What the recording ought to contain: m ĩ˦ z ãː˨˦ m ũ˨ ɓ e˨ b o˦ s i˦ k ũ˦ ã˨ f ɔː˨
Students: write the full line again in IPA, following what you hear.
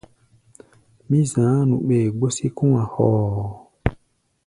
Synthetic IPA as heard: m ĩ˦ z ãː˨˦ n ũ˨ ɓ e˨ ɡ͡b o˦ s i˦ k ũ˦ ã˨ h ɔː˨